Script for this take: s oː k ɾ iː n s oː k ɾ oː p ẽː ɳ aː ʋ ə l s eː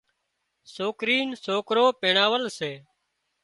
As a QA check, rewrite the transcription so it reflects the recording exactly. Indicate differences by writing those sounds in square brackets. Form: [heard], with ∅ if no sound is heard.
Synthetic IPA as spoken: s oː k ɾ iː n s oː k ɾ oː p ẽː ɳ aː ʋ ə l s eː